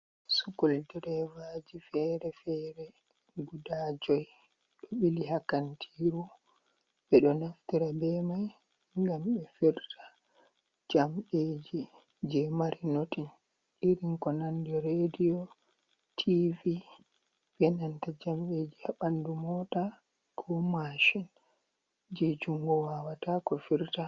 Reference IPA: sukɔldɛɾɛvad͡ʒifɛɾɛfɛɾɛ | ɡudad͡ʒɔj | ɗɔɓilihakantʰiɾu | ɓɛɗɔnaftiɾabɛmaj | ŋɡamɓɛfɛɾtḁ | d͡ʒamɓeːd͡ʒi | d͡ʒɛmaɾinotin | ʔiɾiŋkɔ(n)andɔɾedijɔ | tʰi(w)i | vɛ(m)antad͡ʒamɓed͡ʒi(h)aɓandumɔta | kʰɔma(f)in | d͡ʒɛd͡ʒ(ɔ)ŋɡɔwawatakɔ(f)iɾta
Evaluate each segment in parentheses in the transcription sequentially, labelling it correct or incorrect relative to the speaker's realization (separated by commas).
correct, incorrect, incorrect, correct, incorrect, incorrect, correct